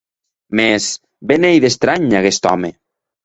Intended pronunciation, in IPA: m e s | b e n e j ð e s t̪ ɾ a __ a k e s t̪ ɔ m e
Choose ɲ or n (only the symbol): ɲ